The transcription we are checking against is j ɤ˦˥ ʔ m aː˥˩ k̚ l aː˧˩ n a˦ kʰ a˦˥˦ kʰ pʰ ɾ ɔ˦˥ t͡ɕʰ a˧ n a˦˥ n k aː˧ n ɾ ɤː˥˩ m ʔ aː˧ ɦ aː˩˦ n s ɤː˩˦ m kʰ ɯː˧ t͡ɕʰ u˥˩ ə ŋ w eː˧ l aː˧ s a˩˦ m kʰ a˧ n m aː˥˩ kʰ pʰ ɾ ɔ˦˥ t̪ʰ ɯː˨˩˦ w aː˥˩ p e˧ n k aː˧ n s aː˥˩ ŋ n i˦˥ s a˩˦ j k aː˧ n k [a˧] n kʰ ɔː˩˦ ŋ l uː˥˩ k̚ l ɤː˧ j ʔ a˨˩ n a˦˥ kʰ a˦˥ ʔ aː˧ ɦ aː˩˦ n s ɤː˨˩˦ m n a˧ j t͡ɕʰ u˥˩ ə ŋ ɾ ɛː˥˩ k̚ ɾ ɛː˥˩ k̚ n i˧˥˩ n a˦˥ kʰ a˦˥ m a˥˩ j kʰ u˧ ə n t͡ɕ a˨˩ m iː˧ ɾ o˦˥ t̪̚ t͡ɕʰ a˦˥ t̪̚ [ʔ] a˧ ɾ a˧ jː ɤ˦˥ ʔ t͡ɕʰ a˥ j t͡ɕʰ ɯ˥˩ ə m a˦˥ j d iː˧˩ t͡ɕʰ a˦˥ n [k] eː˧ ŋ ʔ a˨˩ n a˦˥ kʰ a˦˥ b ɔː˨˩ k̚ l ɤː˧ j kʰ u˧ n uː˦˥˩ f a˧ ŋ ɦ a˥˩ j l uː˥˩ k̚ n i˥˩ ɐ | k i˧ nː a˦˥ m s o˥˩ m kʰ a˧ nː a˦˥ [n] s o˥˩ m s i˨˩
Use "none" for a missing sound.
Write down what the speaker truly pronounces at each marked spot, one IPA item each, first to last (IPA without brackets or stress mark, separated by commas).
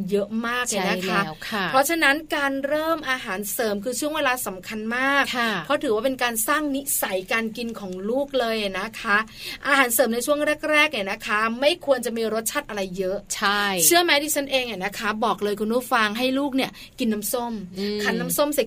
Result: i˧, ʔ, ʔ, m